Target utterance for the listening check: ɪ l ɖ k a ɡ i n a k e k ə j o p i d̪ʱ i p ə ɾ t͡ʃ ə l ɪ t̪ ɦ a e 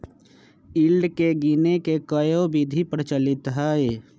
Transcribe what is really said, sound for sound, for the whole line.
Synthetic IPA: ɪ l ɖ k e ɡ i n e k e k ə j o b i d̪ʱ i p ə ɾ t͡ʃ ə l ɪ t̪ ɦ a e